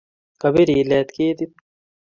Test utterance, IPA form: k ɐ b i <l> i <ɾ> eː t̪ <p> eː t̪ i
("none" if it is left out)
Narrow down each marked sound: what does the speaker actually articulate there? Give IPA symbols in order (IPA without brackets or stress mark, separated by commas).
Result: ɾ, l, k